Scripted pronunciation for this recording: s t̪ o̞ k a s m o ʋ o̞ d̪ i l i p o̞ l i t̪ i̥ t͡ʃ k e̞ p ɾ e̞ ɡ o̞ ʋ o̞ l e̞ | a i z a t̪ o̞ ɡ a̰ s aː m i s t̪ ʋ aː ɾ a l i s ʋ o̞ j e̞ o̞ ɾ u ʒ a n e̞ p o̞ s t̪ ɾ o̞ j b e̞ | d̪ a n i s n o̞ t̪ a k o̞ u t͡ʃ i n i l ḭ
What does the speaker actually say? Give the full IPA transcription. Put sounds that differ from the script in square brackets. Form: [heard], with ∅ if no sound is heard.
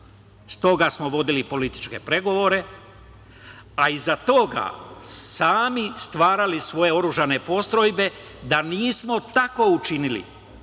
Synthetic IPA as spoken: s t̪ o̞ [ɡ] a s m o ʋ o̞ d̪ i l i p o̞ l i t̪ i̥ t͡ʃ k e̞ p ɾ e̞ ɡ o̞ ʋ o̞ [ɾ] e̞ | a i z a t̪ o̞ ɡ a̰ s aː m i s t̪ ʋ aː ɾ a l i s ʋ o̞ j e̞ o̞ ɾ u ʒ a n e̞ p o̞ s t̪ ɾ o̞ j b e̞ | d̪ a n [iː] s [m] o̞ t̪ a k o̞ u t͡ʃ i n i l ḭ